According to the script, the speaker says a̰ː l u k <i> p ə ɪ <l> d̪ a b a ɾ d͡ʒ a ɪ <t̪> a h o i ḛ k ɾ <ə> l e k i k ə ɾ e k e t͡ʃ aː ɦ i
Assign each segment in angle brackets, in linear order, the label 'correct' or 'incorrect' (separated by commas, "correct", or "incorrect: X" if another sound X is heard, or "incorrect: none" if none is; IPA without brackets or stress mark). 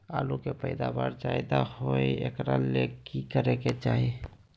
incorrect: e, incorrect: none, incorrect: d̪, incorrect: a